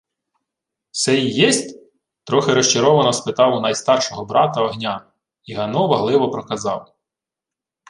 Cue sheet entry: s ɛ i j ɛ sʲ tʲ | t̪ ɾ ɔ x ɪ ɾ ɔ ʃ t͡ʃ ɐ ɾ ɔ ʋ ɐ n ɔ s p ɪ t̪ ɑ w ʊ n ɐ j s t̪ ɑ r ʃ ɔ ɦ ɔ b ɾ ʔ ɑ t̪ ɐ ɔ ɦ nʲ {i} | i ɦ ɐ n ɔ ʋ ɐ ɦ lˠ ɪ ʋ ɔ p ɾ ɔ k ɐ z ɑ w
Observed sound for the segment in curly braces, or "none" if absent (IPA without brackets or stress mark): a